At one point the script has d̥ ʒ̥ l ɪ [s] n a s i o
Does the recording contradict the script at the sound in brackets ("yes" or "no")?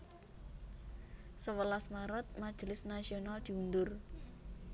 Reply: no